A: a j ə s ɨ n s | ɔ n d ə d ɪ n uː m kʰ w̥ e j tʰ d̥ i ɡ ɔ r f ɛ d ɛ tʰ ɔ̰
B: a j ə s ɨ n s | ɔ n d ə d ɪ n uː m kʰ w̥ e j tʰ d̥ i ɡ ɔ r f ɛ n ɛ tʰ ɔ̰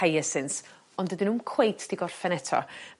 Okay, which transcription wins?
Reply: B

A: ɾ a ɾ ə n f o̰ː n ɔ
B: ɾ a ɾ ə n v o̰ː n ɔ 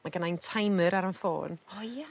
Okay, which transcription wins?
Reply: A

